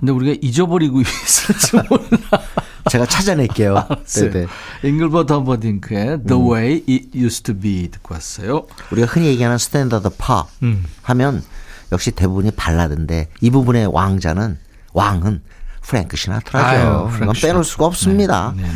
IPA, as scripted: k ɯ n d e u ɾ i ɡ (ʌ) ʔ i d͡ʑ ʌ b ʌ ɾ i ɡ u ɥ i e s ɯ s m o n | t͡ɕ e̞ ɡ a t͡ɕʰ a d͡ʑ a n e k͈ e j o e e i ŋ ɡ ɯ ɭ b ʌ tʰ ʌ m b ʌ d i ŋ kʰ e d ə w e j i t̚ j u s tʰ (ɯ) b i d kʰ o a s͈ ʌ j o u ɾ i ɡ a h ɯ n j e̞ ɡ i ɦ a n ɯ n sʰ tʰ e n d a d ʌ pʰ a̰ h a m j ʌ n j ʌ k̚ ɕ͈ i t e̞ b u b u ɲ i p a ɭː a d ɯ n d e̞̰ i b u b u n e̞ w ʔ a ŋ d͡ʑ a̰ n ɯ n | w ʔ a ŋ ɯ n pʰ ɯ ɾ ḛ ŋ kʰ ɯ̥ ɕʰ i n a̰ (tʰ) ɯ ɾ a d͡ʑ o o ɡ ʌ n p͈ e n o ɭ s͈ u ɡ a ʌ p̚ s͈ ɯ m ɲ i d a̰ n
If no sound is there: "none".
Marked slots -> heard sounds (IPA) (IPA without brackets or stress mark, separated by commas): a, u, tʰ